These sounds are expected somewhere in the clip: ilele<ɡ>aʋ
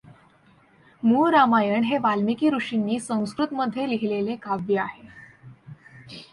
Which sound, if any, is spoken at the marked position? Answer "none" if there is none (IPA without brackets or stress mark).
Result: k